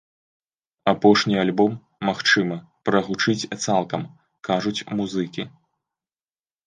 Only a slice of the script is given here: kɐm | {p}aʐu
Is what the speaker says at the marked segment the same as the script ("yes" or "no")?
no